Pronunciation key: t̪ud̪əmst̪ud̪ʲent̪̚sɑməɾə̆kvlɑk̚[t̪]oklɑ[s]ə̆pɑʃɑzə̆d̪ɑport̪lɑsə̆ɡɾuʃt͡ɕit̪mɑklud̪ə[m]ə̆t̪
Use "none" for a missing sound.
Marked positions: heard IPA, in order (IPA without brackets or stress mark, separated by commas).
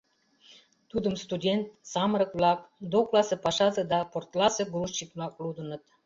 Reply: d̪, s, n